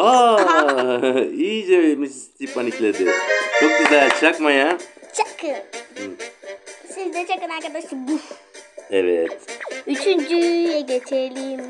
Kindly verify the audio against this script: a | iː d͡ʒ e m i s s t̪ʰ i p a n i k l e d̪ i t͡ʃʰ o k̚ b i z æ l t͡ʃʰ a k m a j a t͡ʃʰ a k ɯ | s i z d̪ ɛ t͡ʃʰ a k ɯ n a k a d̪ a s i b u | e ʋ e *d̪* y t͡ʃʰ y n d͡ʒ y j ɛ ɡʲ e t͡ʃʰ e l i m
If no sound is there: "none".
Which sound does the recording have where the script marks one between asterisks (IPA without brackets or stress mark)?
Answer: t̪